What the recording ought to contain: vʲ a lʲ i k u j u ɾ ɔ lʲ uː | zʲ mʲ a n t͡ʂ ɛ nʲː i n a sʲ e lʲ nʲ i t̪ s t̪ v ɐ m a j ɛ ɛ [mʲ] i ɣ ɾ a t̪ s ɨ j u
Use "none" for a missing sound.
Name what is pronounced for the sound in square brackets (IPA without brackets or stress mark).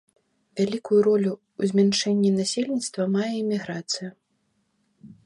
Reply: mʲ